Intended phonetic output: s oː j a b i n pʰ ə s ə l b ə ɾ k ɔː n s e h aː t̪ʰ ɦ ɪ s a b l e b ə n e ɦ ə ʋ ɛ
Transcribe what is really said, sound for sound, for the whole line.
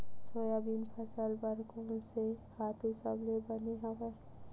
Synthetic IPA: s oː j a b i n pʰ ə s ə l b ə ɾ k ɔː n s e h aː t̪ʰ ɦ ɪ s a b l e b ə n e ɦ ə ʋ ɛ